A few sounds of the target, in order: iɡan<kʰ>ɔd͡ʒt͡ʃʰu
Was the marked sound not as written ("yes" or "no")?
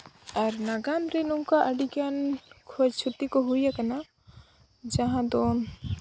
no